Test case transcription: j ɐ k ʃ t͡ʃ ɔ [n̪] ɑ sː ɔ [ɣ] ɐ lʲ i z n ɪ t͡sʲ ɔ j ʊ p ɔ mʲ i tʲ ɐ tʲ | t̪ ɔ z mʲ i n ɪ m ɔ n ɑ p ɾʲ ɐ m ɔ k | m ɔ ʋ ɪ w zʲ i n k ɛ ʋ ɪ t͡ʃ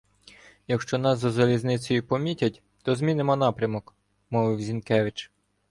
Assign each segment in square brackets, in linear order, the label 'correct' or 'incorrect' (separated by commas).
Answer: correct, incorrect